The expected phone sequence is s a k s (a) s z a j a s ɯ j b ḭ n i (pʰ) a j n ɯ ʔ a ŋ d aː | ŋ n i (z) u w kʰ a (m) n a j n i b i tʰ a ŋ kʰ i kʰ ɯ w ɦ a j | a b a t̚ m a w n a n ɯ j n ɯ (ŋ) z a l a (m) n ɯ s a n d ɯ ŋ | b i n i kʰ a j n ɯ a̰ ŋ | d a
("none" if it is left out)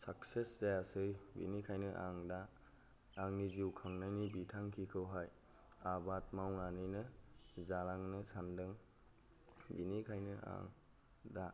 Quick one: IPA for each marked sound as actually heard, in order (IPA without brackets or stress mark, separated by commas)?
e, kʰ, z, ŋ, none, ŋ